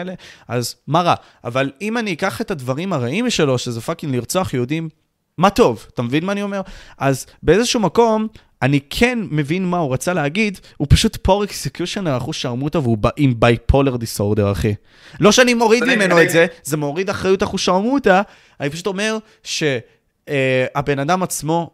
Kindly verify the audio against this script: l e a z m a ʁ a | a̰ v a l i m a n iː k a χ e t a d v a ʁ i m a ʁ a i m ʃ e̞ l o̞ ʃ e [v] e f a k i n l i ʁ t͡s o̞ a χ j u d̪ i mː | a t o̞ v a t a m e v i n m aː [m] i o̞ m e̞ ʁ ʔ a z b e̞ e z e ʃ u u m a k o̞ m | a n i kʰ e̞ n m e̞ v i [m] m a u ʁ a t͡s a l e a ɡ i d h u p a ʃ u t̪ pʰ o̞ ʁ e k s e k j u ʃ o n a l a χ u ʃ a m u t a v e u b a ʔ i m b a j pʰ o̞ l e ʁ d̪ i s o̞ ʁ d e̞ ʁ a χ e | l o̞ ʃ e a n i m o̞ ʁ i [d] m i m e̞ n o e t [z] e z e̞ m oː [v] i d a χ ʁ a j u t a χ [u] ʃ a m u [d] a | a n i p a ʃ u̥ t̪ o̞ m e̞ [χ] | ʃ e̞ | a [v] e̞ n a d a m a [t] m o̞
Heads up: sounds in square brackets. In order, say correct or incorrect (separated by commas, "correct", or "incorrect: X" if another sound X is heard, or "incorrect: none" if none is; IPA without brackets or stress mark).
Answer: incorrect: z, incorrect: n, incorrect: n, correct, correct, incorrect: ʁ, correct, incorrect: t, incorrect: ʁ, incorrect: b, incorrect: t͡s